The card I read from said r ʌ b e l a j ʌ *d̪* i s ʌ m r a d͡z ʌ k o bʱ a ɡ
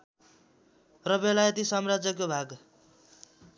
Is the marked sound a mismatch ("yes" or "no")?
yes